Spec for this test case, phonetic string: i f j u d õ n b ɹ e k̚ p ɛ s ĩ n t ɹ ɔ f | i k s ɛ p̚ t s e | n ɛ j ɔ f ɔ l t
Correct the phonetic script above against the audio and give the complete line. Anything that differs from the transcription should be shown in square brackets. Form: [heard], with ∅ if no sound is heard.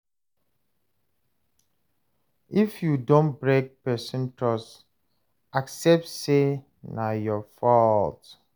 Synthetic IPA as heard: i f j u d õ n b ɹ e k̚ p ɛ s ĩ n t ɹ ɔ [s] | [a] k s ɛ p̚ t s e | n [a] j ɔ f ɔ l t